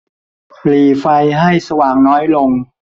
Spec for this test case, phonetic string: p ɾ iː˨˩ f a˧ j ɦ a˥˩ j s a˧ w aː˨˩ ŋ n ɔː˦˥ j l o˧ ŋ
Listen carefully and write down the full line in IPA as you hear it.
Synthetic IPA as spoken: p l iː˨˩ f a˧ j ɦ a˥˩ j s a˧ w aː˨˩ ŋ n ɔː˦˥ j l o˧ ŋ